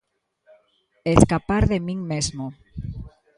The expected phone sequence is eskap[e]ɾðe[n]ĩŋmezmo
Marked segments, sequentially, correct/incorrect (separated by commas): incorrect, incorrect